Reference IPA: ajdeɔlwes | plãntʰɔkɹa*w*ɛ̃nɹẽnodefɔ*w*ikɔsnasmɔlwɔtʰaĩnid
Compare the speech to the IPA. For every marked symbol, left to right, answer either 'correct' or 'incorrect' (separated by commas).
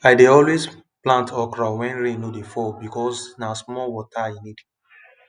correct, incorrect